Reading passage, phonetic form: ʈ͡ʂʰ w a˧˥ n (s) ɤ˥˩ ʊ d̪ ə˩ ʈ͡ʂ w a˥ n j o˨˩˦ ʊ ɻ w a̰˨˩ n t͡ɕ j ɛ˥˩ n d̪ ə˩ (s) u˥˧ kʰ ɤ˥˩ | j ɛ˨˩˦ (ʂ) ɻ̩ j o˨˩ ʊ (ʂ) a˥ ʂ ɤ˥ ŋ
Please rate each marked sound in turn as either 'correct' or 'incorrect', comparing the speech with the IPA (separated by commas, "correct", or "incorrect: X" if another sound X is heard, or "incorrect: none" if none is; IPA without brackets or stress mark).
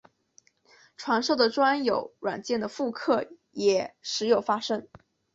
incorrect: ʂ, incorrect: f, correct, incorrect: f